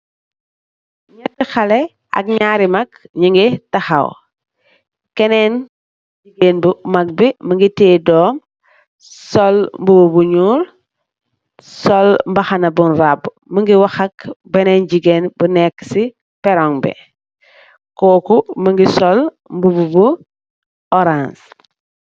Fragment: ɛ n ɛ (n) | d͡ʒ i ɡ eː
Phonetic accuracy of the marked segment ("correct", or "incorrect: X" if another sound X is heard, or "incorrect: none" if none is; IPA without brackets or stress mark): correct